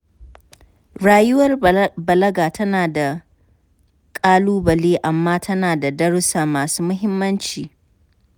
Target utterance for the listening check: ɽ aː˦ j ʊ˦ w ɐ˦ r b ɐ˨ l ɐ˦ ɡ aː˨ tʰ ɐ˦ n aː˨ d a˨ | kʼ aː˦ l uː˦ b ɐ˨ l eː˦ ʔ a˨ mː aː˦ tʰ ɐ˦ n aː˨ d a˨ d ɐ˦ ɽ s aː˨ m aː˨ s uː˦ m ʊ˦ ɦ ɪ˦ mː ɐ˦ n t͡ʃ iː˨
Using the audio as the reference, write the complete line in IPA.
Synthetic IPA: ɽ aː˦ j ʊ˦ w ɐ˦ r b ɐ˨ l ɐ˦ ɡ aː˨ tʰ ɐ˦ n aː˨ d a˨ | kʼ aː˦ l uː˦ b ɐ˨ l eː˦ ʔ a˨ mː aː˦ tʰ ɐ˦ n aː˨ d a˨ d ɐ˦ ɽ s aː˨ m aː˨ s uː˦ m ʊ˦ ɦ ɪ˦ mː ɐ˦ n t͡ʃ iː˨